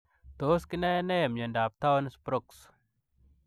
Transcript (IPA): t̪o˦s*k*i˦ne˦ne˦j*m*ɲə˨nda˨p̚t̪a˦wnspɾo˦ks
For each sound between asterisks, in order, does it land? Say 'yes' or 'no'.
yes, yes

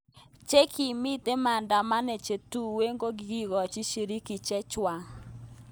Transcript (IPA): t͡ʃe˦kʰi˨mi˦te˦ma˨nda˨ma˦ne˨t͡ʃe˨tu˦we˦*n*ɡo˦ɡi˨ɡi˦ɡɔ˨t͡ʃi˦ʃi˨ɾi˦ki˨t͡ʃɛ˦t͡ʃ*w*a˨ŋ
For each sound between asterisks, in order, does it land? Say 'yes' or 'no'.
no, yes

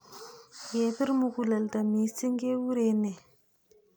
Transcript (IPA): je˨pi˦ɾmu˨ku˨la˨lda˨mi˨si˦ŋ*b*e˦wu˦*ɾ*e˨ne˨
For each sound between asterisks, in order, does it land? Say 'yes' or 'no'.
no, yes

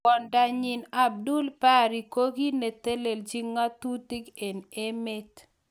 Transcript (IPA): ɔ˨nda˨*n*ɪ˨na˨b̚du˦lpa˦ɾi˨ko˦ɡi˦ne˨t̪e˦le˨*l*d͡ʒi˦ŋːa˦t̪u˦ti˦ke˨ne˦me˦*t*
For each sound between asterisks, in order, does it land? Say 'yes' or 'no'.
no, yes, yes

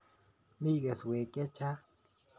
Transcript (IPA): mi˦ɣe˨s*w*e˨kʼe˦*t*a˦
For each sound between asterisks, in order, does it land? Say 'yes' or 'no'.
yes, no

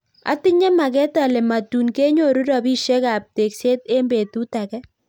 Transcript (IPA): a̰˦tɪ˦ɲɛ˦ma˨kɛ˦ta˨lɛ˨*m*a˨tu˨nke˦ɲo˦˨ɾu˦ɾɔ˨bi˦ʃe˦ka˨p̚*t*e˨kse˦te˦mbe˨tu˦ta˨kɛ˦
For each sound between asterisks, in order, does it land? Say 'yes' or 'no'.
yes, yes

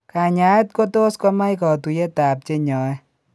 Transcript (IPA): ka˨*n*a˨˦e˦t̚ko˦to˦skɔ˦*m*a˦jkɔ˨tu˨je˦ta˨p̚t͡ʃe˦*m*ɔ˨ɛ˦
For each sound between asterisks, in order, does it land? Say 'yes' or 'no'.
no, yes, no

